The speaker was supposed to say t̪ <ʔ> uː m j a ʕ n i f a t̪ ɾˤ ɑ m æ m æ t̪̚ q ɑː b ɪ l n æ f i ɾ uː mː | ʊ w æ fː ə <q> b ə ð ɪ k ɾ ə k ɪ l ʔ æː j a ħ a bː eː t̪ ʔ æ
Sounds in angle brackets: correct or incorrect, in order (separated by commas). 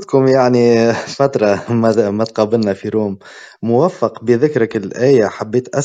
incorrect, correct